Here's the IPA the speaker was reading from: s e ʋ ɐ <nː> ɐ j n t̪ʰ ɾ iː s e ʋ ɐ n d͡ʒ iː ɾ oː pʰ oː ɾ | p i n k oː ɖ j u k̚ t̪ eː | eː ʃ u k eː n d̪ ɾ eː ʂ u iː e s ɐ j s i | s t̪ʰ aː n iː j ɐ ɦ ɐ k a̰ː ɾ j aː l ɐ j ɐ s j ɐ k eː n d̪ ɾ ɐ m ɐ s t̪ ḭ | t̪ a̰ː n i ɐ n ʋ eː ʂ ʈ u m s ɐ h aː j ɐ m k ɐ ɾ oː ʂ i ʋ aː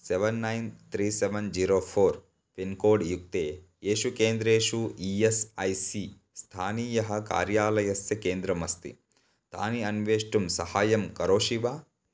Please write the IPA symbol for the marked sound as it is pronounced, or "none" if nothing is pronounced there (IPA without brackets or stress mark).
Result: nː